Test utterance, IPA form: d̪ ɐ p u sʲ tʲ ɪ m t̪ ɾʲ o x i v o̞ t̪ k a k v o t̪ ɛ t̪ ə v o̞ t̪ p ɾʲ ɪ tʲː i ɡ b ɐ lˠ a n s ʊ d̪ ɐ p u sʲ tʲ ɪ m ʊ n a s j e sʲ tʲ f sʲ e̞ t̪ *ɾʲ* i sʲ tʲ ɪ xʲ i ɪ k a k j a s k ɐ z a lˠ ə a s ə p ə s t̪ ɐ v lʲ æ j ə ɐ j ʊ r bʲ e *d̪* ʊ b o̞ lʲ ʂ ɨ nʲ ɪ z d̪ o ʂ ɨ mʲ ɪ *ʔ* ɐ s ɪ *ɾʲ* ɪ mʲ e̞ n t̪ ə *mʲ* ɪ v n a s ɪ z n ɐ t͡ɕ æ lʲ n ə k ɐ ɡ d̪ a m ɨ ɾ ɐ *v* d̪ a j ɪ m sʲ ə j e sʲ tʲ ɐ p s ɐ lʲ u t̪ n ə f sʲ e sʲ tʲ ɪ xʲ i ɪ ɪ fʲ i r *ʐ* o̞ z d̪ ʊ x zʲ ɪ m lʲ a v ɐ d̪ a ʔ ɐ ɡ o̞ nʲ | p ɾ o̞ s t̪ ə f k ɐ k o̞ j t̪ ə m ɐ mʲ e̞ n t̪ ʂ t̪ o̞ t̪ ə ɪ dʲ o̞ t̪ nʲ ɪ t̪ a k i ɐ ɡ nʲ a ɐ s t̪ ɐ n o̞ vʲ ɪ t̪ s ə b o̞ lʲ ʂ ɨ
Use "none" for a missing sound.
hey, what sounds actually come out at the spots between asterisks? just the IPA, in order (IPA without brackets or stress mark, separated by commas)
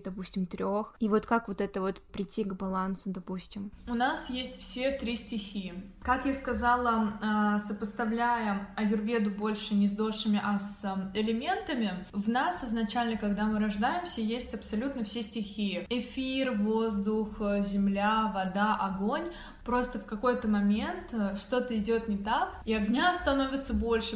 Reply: ɾʲ, d̪, ʔ, lʲ, mʲ, ʐ, v